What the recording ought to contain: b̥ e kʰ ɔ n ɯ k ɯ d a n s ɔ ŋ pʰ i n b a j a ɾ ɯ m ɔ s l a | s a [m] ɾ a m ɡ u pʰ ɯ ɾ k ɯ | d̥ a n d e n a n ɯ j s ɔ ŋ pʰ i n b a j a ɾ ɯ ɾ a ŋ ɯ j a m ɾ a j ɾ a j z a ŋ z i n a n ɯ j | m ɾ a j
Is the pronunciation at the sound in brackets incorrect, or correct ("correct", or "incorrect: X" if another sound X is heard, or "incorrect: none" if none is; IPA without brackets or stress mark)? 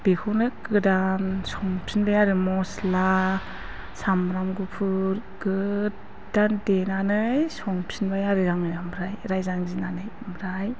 correct